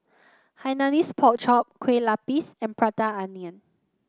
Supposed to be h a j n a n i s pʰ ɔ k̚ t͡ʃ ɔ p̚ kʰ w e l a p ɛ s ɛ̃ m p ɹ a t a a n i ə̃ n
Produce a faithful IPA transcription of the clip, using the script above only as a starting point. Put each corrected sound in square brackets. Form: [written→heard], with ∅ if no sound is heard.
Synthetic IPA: h a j n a n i s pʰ ɔ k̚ t͡ʃ ɔ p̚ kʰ w e l a p [ɛ→i] s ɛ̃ [m→n] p ɹ a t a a n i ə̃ n